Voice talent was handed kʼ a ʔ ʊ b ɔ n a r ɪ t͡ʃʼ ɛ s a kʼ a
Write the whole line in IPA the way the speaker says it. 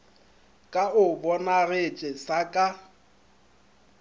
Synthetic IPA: kʼ a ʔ ʊ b ɔ n a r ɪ t͡ʃʼ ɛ s a kʼ a